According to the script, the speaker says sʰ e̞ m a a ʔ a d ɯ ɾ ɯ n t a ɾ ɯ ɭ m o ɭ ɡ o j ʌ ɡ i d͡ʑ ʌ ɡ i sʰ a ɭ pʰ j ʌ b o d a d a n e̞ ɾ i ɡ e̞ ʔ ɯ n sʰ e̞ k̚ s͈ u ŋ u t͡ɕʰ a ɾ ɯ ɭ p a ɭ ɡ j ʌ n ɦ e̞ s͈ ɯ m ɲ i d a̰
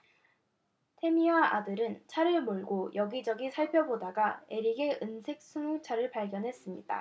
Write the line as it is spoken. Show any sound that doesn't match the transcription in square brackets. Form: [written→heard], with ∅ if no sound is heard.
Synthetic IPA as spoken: [sʰ→tʰ] e̞ m [a→i] a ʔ a d ɯ ɾ ɯ n [t→t͡ɕʰ] a ɾ ɯ ɭ m o ɭ ɡ o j ʌ ɡ i d͡ʑ ʌ ɡ i sʰ a ɭ pʰ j ʌ b o d a [d→ɡ] a [n→∅] e̞ ɾ i ɡ e̞ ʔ ɯ n sʰ e̞ k̚ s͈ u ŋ u t͡ɕʰ a ɾ ɯ ɭ p a ɭ ɡ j ʌ n ɦ e̞ s͈ ɯ m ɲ i d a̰